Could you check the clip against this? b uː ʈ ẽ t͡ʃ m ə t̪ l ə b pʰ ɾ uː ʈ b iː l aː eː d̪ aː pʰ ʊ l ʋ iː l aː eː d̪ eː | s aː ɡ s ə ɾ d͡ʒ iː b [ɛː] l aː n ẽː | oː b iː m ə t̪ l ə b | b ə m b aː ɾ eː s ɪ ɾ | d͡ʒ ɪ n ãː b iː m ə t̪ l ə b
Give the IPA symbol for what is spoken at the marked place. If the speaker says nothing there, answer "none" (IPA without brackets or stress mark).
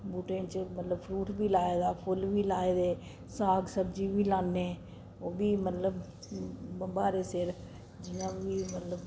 iː